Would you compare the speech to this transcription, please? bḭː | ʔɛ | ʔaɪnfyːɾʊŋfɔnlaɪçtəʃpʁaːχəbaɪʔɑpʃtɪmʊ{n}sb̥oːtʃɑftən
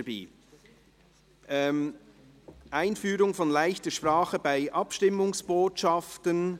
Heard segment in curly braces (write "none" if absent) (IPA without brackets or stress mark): ŋ